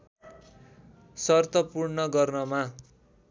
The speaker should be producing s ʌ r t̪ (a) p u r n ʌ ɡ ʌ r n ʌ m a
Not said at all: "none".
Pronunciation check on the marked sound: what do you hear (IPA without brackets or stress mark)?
ʌ